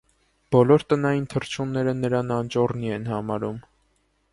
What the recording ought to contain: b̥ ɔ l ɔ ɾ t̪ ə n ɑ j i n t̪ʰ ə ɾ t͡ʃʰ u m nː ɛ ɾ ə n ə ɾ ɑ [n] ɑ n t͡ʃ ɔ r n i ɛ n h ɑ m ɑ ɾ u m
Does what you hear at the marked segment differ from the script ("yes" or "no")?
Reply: no